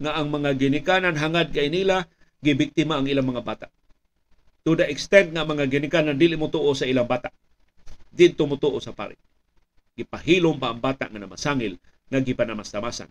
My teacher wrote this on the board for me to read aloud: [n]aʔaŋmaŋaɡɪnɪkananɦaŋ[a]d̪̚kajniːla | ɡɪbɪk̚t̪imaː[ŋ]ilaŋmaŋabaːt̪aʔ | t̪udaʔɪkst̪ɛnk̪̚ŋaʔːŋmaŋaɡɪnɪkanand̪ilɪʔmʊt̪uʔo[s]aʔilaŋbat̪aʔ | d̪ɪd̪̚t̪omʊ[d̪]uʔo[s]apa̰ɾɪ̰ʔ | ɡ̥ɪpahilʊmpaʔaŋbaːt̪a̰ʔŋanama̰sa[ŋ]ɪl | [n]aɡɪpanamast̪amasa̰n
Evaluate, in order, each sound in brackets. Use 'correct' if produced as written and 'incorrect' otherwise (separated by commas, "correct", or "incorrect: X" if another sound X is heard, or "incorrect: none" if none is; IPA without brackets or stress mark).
incorrect: ŋ, correct, correct, correct, incorrect: t̪, correct, correct, incorrect: ŋ